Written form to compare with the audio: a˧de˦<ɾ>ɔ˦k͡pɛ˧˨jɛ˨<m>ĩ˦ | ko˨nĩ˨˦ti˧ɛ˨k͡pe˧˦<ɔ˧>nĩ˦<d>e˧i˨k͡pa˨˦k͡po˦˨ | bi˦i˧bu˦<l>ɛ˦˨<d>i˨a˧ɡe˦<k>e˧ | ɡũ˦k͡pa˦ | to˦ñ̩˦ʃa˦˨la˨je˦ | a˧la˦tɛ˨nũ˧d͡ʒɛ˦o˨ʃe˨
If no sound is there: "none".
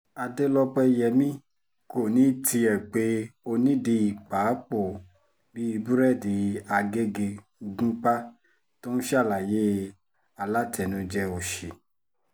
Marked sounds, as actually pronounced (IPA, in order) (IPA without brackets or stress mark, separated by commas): l, m, o˧, d, ɾ, d, ɡ